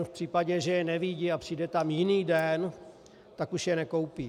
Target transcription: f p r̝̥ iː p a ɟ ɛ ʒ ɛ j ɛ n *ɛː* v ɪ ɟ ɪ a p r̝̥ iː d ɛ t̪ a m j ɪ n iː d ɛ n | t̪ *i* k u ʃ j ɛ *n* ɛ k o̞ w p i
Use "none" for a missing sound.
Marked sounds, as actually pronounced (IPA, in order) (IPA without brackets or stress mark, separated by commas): ɛ, a, n